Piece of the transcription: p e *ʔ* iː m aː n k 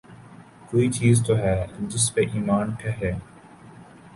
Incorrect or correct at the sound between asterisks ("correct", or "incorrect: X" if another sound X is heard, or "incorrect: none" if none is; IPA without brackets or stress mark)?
correct